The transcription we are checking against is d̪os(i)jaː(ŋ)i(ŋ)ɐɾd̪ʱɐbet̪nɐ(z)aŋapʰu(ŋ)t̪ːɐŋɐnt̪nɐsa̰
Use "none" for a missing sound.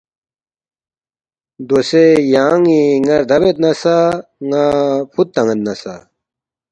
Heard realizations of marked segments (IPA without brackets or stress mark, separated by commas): e, ŋ, ŋ, s, none